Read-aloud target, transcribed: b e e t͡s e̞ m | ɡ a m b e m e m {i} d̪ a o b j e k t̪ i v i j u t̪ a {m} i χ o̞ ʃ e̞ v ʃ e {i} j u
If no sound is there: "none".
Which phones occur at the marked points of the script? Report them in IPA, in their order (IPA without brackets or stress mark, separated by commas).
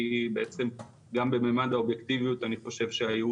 a, n, a